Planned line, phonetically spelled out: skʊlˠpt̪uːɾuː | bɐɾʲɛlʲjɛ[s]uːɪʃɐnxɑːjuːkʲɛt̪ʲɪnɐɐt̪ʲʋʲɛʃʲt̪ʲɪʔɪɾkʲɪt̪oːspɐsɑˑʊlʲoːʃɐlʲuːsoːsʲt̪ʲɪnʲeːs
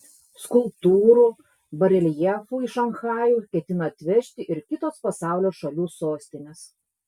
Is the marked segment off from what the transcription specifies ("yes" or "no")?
yes